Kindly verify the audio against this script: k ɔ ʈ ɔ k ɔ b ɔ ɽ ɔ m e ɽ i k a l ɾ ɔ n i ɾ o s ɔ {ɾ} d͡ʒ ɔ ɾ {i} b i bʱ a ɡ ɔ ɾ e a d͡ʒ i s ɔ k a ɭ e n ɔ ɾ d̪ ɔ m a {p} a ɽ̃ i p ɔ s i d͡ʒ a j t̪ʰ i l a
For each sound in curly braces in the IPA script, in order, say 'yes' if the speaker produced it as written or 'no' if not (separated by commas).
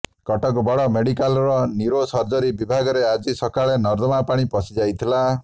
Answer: yes, yes, yes